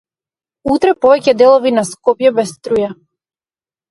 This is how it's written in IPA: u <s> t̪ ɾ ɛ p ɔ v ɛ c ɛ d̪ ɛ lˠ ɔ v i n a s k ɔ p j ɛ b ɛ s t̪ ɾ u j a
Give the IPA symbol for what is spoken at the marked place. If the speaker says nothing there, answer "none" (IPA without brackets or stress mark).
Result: none